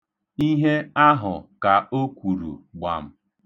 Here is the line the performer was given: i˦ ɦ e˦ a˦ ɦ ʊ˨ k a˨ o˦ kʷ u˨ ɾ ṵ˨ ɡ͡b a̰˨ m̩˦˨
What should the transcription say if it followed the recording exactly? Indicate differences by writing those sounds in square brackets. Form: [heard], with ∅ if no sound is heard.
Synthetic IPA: i˦ ɦ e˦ a˦ ɦ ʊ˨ k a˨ o˦ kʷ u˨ ɾ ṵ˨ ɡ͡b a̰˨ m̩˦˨